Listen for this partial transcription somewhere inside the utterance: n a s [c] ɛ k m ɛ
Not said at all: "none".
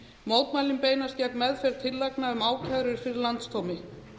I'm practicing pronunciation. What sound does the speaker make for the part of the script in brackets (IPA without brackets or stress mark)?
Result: c